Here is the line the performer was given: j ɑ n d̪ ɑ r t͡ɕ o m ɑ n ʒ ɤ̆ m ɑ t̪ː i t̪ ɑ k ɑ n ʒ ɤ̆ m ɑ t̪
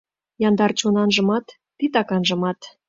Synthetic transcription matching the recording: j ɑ n d̪ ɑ r t͡ɕ o n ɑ n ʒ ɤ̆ m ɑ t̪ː i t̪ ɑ k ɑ n ʒ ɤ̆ m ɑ t̪